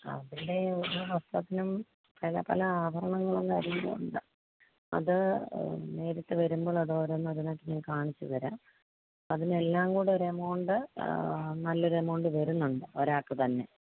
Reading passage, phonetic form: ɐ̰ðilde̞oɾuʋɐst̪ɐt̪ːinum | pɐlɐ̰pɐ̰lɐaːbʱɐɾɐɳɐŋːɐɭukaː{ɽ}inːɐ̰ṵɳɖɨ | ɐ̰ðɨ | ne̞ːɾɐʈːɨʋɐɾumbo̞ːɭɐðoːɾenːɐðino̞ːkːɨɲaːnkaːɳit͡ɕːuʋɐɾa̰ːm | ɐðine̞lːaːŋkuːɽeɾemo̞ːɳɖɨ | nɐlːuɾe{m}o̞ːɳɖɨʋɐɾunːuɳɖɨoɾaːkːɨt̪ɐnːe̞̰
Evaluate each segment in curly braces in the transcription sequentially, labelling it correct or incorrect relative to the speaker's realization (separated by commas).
incorrect, correct